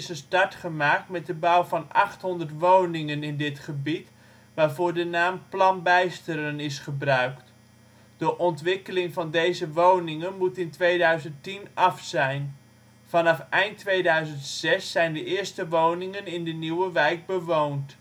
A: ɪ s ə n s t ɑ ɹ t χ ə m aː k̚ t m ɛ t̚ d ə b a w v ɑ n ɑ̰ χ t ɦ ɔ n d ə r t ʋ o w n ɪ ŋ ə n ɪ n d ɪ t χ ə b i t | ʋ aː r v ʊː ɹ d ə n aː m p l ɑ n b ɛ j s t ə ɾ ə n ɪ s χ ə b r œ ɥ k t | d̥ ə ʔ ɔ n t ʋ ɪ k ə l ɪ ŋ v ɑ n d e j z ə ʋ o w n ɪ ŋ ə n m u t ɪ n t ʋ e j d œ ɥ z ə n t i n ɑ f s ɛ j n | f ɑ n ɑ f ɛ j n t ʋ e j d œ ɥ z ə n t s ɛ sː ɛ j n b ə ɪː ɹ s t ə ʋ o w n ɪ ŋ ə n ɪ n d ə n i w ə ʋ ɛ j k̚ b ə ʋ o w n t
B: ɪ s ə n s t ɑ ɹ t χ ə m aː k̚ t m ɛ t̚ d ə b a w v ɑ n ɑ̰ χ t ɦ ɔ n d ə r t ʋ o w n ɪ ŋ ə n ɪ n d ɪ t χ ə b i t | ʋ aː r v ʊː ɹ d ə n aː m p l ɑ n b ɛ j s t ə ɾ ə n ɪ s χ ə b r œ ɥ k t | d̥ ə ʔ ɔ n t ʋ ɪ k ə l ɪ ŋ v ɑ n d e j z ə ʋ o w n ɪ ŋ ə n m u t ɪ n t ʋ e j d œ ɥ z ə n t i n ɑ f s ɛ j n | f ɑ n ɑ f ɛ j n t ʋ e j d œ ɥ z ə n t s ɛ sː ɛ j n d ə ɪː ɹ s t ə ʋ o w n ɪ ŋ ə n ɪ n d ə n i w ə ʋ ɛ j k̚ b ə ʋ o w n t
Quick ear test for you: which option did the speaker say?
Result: B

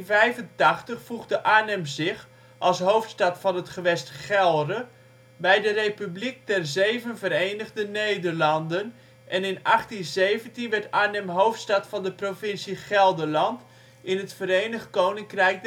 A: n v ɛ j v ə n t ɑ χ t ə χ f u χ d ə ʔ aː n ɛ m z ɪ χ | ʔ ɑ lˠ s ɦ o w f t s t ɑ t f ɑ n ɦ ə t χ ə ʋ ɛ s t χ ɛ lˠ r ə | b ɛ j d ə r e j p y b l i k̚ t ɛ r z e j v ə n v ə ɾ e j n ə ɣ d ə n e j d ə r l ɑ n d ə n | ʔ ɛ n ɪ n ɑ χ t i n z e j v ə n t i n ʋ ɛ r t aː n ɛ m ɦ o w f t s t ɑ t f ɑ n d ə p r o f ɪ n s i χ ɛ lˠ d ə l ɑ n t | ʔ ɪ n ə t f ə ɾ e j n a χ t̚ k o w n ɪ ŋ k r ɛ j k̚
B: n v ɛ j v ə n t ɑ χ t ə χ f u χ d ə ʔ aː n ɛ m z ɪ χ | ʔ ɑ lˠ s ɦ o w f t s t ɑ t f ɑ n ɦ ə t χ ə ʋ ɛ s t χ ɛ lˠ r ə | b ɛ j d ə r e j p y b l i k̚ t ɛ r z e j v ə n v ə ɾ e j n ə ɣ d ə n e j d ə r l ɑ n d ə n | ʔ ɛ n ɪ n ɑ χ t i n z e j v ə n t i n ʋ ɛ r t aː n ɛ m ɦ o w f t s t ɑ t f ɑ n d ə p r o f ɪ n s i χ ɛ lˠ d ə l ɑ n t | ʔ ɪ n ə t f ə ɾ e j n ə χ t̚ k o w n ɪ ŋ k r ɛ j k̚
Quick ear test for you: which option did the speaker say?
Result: B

